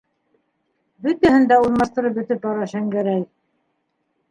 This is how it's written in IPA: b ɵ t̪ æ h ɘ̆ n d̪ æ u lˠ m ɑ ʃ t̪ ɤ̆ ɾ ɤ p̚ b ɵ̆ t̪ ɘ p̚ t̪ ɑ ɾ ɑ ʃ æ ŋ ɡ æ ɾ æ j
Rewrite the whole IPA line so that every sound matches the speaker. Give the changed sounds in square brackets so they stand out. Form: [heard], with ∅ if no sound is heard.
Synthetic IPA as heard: b ɵ t̪ æ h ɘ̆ n d̪ æ u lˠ m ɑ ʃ t̪ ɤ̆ ɾ ɤ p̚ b ɵ̆ t̪ ɘ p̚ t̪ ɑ ɾ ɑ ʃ æ ŋ ɡ æ ɾ æ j